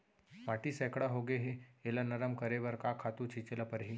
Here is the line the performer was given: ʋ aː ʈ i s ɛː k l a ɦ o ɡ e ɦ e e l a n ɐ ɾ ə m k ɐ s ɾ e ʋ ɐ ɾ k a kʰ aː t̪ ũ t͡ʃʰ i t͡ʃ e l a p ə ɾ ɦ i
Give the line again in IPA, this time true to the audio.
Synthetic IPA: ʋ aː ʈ i s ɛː k ɽ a ɦ o ɡ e ɦ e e l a n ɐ ɾ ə m k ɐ ɾ e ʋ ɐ ɾ k a kʰ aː t̪ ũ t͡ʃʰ i t͡ʃ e l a p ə ɾ ɦ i